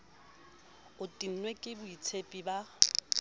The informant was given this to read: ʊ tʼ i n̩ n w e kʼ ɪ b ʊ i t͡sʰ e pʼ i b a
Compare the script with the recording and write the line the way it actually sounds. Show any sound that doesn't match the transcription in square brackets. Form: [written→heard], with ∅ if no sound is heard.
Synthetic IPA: ʊ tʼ i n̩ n w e kʼ ɪ b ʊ i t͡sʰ e pʼ i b a